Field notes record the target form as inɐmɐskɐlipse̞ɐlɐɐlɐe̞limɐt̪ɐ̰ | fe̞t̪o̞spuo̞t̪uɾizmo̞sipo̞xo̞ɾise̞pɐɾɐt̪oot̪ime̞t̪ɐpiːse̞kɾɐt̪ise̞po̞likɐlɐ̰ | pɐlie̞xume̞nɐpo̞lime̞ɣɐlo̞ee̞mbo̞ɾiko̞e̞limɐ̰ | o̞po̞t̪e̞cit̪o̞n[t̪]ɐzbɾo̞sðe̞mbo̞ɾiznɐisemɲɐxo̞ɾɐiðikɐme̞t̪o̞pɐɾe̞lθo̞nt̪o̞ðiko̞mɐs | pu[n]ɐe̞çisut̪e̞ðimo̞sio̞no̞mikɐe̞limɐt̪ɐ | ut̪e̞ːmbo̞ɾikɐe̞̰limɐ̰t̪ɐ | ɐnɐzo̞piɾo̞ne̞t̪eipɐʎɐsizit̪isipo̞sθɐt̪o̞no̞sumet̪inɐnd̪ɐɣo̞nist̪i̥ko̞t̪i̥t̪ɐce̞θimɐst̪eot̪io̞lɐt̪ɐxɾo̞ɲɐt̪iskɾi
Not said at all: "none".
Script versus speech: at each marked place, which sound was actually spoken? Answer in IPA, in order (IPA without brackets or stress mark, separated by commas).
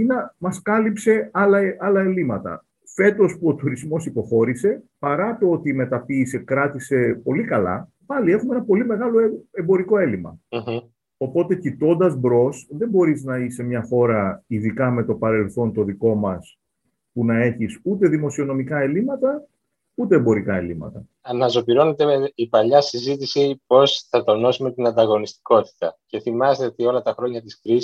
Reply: d̪, n